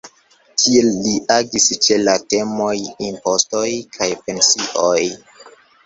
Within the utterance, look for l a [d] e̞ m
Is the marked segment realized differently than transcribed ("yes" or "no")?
yes